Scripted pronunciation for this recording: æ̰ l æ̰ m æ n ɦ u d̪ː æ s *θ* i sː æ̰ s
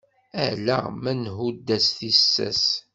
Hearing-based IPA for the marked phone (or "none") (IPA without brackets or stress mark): θ